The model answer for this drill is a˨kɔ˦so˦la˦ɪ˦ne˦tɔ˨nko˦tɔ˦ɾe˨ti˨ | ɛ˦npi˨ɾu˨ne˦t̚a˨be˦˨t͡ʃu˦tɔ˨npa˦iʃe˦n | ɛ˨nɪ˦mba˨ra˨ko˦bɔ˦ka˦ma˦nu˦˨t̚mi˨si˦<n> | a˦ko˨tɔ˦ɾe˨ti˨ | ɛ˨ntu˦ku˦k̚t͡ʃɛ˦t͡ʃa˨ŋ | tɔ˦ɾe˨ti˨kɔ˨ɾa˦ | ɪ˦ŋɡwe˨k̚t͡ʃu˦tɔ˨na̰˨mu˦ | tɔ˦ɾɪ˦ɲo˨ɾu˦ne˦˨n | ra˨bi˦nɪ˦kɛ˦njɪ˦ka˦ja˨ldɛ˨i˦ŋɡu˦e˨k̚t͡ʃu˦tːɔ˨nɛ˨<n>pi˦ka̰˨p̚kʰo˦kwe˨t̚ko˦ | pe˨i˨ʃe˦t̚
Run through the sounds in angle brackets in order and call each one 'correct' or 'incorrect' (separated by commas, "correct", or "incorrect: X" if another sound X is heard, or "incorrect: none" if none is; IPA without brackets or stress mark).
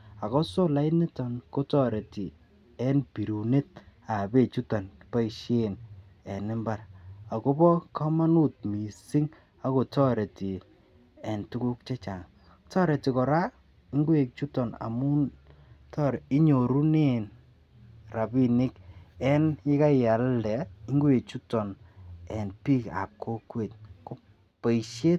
incorrect: ŋ, correct